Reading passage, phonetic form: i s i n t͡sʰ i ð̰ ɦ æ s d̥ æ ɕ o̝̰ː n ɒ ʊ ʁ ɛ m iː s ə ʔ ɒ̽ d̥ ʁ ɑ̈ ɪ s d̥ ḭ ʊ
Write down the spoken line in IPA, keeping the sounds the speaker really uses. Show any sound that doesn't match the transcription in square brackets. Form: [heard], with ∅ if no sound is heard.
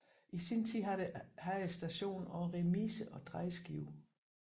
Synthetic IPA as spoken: i s i n t͡sʰ i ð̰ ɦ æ s d̥ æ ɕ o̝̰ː n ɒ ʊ ʁ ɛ m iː s ə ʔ ɒ̽ d̥ ʁ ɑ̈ ɪ s [ɡ̥] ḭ ʊ